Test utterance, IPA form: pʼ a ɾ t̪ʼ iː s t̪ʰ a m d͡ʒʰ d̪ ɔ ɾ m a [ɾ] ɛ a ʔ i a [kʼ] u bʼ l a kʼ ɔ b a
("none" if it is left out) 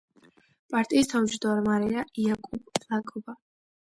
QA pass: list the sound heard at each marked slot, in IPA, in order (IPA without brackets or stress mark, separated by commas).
ɾ, kʼ